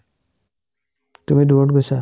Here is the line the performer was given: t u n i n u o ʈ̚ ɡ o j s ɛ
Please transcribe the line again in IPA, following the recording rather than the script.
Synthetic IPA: t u m i d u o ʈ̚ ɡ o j s a